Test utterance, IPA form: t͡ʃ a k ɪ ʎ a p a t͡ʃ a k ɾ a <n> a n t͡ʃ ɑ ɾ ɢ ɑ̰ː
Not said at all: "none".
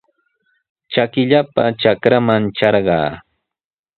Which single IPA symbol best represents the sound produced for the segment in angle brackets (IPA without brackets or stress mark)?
m